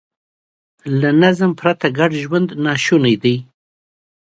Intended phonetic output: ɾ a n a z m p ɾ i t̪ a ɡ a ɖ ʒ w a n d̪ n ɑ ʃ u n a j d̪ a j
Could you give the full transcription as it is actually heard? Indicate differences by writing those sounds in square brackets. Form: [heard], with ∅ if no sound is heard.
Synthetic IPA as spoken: [l] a n a z m p ɾ [a] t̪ a ɡ a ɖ ʒ w a n d̪ n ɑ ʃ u n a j d̪ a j

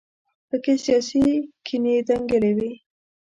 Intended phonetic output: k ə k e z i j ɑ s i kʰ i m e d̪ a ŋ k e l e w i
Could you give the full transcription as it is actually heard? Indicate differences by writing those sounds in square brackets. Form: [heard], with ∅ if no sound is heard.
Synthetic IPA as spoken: [p] ə k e [s] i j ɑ s i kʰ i [n] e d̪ a ŋ [ɡ] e l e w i

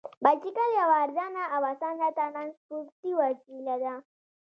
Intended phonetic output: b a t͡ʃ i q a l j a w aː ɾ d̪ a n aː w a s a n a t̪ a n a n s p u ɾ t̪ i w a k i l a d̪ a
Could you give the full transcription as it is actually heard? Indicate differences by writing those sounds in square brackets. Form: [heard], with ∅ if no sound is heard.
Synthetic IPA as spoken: b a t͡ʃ i [k] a l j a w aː ɾ d̪ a n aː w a s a n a t̪ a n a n s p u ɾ t̪ i w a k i l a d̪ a

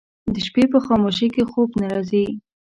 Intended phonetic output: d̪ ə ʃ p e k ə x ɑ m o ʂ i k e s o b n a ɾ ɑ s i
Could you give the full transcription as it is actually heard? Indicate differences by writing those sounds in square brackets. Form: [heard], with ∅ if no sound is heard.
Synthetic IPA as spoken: d̪ ə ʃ p e [p] ə x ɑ m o [ʃ] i k e [x] o b n a ɾ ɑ [z] i

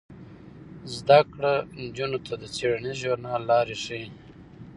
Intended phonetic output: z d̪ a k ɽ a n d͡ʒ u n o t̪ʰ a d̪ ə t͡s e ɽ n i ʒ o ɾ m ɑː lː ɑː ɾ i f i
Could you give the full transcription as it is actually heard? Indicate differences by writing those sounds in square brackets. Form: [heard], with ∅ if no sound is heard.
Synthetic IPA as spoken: z d̪ a k ɽ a n d͡ʒ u n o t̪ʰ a d̪ ə t͡s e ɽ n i ʒ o ɾ [n] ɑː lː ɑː ɾ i [ʂ] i

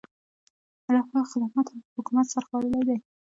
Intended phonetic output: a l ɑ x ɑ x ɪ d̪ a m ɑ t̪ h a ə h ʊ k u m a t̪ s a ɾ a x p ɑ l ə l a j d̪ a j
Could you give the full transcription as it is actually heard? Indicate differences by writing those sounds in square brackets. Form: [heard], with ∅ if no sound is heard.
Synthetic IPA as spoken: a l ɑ x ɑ x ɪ d̪ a m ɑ t̪ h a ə h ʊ k u m a t̪ s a ɾ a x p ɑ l ə l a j d̪ a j

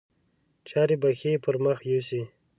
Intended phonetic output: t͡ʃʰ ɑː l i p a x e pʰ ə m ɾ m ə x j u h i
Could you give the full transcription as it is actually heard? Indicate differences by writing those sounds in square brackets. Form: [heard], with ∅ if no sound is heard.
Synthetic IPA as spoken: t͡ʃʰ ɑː [ɾ] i [b] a x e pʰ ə [∅] ɾ m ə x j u [s] i

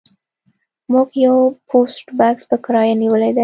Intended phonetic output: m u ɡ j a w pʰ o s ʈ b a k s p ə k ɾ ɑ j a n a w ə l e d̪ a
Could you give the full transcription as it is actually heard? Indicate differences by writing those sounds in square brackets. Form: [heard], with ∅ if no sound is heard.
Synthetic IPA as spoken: m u ɡ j a w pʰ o s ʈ b a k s p ə k ɾ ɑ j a n [i] w ə l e d̪ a

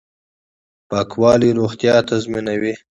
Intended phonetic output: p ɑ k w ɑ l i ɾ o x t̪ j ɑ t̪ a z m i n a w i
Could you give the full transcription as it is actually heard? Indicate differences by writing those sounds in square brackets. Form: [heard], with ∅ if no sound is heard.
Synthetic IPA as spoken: p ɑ k w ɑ l i ɾ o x t̪ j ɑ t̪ a z m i n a w i

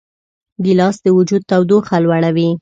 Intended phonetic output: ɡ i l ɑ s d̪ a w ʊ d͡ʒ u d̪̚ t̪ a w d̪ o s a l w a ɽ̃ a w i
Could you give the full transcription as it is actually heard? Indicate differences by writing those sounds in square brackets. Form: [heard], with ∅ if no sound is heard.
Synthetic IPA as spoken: ɡ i l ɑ s d̪ [ə] w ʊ d͡ʒ u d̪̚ t̪ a w d̪ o [x] a l w a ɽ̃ a w i

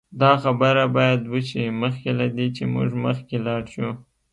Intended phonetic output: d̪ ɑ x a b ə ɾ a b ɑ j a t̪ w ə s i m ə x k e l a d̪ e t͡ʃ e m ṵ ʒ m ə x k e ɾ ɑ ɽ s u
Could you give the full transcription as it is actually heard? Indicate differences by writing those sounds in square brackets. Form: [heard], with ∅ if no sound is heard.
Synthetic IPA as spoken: d̪ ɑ x a b ə ɾ a b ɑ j a [d̪] w ə [ʃ] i m ə x k e l a d̪ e t͡ʃ e m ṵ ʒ m ə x k e [l] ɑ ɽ [ʃ] u

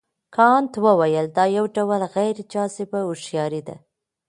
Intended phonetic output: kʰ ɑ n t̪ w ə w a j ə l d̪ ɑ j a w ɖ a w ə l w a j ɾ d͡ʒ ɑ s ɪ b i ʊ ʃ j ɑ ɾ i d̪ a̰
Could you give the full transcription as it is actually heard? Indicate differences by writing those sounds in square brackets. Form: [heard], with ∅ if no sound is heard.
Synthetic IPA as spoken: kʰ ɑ n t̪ w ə w a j ə l d̪ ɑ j a w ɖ a w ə l [ɣ] a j ɾ d͡ʒ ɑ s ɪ b [a] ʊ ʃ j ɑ ɾ i d̪ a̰

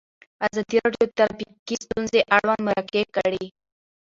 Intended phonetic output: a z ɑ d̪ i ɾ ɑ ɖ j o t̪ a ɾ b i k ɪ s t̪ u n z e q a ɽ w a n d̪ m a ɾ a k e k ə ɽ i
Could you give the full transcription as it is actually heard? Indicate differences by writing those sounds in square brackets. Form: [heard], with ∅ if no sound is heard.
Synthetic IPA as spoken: a z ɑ d̪ i ɾ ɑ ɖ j o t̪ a ɾ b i k [i] s t̪ u n z e [ʔ] a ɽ w a n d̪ m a ɾ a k e k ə ɽ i

